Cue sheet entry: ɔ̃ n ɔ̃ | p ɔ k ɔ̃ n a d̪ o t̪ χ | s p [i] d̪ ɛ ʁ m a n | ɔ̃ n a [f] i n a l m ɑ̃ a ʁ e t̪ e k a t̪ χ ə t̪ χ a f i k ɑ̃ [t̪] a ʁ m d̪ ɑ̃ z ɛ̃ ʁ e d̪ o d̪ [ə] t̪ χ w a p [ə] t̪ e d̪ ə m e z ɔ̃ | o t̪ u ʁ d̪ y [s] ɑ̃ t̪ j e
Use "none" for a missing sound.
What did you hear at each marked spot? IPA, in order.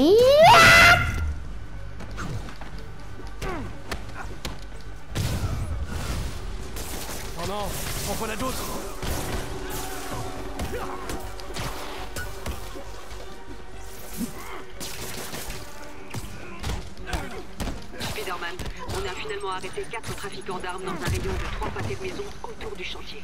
i, f, d̪, ə, a, ʃ

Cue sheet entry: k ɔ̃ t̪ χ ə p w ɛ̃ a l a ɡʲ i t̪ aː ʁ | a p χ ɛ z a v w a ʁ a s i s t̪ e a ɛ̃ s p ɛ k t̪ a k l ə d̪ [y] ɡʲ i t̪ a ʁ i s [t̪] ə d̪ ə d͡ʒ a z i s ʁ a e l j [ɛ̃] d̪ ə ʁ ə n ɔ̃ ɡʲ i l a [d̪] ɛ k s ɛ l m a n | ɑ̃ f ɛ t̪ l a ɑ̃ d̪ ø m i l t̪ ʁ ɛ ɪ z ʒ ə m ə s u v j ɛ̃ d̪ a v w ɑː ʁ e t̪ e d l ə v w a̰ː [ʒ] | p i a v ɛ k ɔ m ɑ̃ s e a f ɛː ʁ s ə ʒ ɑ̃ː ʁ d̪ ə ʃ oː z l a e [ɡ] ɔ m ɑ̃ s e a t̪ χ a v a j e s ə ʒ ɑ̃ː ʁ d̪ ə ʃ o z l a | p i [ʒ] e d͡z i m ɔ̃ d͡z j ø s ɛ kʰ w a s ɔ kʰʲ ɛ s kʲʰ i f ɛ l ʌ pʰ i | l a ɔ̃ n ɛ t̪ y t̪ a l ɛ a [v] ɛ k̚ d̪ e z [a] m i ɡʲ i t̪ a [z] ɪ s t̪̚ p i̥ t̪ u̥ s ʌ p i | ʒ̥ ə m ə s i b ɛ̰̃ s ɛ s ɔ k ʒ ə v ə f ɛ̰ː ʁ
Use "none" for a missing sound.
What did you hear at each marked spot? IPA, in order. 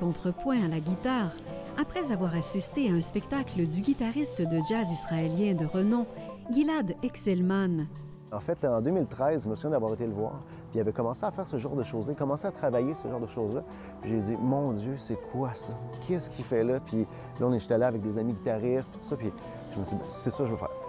y, t̪, ɛ̃, d̪, ʁ, k, ʒ, v, a, ʁ

